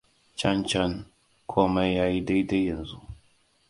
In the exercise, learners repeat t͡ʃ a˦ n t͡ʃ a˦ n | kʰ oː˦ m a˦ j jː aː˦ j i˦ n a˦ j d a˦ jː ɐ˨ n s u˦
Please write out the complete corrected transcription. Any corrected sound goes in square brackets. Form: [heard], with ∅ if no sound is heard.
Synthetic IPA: t͡ʃ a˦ n t͡ʃ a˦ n | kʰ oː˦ m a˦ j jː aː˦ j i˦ [d] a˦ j d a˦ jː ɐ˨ n [z] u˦